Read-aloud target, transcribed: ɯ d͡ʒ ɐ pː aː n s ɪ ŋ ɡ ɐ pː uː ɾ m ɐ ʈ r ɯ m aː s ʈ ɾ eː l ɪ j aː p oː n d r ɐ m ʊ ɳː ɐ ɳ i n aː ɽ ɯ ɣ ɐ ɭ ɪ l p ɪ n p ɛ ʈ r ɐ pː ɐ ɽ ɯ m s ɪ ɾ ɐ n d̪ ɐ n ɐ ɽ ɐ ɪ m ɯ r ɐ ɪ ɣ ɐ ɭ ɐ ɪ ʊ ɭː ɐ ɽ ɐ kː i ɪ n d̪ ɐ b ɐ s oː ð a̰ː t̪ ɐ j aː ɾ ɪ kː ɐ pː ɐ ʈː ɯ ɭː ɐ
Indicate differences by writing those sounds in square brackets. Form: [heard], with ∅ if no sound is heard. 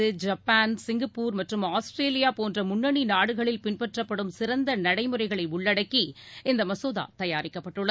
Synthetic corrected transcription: ɯ d͡ʒ ɐ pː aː n s ɪ ŋ ɡ ɐ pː uː ɾ m ɐ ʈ r ɯ m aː s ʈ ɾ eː l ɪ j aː p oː n d r ɐ m ʊ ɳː ɐ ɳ i n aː ɽ ɯ ɣ ɐ ɭ ɪ l p ɪ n p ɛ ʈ r ɐ pː ɐ ɽ ɯ m s ɪ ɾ ɐ n d̪ ɐ n ɐ ɽ ɐ ɪ m ɯ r ɐ ɪ ɣ ɐ ɭ ɐ ɪ ʊ ɭː ɐ ɽ ɐ kː i ɪ n d̪ ɐ [m] ɐ s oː ð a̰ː t̪ ɐ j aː ɾ ɪ kː ɐ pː ɐ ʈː ɯ ɭː ɐ

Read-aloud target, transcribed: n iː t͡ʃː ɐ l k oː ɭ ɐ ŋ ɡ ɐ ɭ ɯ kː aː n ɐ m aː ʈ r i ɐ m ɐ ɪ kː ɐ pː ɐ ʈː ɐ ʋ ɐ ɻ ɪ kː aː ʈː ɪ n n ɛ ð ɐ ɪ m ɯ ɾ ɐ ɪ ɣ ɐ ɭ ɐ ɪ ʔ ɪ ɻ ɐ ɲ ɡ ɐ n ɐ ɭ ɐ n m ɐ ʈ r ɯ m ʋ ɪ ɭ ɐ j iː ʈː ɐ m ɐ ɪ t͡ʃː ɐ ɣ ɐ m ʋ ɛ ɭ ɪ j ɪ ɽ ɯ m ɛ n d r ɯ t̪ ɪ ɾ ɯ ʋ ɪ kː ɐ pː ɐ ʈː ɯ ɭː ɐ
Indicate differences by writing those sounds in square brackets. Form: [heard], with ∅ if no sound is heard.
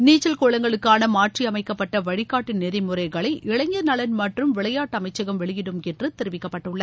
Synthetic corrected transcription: n iː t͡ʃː ɐ l k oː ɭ ɐ ŋ ɡ ɐ ɭ ɯ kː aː n ɐ m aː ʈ r i ɐ m ɐ ɪ kː ɐ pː ɐ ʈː ɐ ʋ ɐ ɻ ɪ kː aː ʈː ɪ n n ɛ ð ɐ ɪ m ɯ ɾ ɐ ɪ ɣ ɐ ɭ ɐ ɪ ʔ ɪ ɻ ɐ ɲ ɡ ɐ n ɐ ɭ ɐ n m ɐ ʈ r ɯ m ʋ ɪ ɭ ɐ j [aː] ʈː ɐ m ɐ ɪ t͡ʃː ɐ ɣ ɐ m ʋ ɛ ɭ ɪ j ɪ ɽ ɯ m ɛ n d r ɯ t̪ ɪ ɾ ɯ ʋ ɪ kː ɐ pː ɐ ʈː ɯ ɭː ɐ

